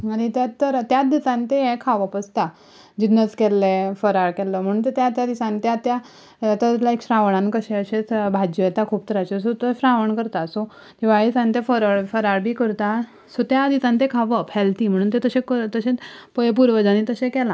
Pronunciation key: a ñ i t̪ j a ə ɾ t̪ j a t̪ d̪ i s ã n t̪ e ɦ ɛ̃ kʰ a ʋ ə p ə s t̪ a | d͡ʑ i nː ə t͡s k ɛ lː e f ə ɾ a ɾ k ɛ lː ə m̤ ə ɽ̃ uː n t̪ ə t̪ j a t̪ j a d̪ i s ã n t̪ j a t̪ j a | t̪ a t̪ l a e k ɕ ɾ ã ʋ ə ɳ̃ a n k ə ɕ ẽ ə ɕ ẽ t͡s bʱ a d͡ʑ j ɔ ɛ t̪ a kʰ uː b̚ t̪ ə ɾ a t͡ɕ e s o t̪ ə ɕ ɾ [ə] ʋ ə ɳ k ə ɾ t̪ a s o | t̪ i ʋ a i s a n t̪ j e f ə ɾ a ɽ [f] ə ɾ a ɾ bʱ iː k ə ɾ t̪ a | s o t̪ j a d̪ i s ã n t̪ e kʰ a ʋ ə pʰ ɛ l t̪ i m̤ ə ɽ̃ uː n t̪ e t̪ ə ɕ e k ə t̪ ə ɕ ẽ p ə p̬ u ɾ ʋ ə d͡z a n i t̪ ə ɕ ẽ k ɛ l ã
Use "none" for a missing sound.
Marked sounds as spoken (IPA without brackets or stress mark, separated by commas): a, f